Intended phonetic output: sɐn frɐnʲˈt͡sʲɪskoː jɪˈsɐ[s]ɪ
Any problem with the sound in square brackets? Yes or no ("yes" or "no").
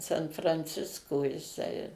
yes